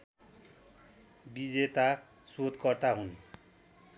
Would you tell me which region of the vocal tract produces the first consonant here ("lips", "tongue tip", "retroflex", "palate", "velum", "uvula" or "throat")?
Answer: lips